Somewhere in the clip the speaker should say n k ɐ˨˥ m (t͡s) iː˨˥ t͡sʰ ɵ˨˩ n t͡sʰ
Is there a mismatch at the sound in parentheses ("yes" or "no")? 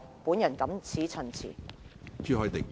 yes